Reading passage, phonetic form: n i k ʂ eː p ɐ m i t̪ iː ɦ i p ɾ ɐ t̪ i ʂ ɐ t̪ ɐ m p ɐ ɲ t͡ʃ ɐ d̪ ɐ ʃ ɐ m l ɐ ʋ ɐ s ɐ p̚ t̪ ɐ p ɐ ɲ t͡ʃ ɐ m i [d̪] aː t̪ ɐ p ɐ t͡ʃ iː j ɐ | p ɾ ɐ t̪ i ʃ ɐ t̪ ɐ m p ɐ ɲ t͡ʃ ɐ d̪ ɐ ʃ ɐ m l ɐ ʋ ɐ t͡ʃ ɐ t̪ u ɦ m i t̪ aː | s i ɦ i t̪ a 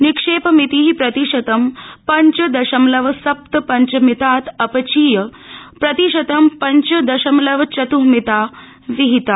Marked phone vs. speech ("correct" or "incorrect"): incorrect